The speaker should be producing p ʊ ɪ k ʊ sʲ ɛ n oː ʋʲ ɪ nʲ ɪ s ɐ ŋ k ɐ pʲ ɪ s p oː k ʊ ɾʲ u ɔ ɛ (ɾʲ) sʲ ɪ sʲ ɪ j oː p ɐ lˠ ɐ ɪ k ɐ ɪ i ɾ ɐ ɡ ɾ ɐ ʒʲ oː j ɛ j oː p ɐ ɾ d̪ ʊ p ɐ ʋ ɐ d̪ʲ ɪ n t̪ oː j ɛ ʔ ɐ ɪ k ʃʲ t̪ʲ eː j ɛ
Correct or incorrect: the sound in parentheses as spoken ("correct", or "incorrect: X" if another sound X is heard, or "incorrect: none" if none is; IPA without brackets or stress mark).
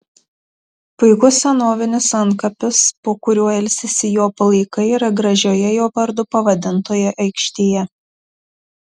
incorrect: lʲ